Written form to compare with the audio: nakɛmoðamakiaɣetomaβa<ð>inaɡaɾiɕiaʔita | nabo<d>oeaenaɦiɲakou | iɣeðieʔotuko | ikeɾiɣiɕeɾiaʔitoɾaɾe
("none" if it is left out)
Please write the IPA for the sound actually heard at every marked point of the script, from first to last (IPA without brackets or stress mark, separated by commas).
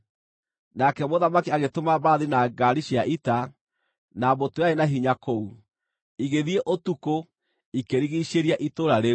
ð, t